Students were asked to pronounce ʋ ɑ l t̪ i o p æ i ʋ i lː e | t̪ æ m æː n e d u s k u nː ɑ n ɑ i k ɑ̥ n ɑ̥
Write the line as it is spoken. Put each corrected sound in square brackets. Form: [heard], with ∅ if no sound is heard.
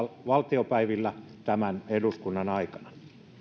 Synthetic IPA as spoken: ʋ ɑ l t̪ i o p æ i ʋ i lː [æ] | t̪ æ m [æ] n e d u s k u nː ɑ n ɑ i k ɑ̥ n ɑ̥